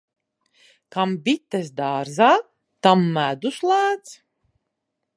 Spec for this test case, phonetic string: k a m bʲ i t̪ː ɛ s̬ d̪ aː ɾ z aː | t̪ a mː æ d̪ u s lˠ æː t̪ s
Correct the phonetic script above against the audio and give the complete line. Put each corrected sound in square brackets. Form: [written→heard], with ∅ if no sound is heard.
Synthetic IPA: k a m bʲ i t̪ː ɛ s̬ d̪ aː ɾ z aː | t̪ a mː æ d̪ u s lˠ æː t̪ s